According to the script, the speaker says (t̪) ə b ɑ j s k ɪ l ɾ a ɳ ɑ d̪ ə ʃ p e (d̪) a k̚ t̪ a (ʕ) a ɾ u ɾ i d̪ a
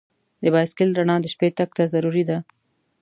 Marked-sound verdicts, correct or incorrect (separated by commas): incorrect, incorrect, incorrect